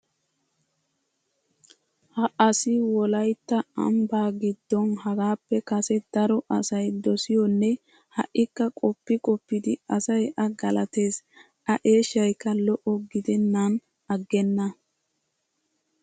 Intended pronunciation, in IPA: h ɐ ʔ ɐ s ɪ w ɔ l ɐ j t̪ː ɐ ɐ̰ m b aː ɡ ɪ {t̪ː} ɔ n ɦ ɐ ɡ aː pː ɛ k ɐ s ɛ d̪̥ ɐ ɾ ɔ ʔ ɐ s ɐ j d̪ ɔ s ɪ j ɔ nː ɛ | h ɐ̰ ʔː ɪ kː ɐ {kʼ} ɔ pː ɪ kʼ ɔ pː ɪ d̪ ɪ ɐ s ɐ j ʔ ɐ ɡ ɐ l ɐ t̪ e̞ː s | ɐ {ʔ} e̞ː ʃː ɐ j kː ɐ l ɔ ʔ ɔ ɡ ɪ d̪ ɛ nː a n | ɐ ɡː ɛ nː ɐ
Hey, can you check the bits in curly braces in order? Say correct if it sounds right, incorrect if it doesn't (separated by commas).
incorrect, correct, correct